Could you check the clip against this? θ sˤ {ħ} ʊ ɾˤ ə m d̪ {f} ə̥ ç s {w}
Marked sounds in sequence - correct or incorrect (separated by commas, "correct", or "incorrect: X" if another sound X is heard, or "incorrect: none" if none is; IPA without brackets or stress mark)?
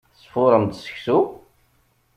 incorrect: f, incorrect: s, incorrect: u